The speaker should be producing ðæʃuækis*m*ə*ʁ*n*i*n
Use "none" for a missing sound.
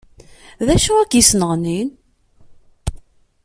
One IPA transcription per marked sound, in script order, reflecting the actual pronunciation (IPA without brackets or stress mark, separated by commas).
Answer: n, ʁ, i